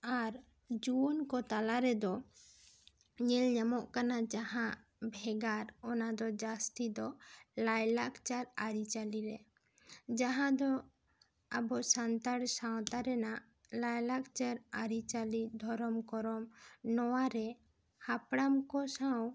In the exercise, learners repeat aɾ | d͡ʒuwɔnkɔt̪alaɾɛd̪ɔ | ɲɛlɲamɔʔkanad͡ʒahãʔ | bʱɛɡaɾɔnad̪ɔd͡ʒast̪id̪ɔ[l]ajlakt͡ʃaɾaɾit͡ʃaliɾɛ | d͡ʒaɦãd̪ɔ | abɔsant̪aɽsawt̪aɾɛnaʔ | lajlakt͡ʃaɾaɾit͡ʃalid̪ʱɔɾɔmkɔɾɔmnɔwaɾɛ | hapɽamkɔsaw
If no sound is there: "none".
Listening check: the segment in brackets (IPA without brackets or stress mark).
l